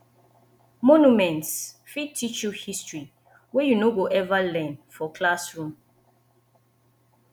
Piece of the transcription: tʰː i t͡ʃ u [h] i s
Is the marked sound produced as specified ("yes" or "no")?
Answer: yes